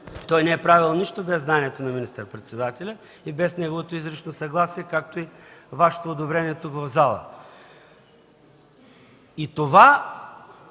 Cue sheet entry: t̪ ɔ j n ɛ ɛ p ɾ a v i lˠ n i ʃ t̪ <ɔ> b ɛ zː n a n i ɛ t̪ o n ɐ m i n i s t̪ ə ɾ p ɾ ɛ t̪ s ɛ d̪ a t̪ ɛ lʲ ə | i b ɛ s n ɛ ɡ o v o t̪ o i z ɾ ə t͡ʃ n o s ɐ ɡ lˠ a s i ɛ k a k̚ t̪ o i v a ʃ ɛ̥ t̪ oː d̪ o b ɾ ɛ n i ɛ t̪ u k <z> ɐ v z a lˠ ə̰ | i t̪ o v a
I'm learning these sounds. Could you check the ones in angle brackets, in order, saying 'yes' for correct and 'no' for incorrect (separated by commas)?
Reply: no, no